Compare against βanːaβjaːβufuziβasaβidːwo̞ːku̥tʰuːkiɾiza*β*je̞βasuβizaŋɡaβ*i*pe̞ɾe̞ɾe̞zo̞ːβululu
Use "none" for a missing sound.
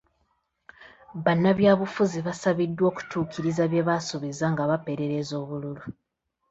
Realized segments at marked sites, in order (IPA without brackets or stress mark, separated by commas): β, a